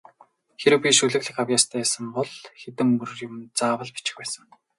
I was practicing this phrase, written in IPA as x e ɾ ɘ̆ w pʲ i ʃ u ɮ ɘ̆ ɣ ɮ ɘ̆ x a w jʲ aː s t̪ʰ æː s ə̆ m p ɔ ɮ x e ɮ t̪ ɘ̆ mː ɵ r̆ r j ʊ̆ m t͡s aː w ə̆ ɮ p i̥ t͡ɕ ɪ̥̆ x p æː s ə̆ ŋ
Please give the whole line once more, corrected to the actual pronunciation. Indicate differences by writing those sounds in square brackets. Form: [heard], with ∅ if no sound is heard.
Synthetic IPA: x e ɾ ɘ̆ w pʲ i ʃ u ɮ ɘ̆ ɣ ɮ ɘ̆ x a w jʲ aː s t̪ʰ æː s ə̆ m p ɔ ɮ x e [∅] t̪ ɘ̆ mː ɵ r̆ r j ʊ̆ m t͡s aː w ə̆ ɮ p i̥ t͡ɕ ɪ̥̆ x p æː s ə̆ ŋ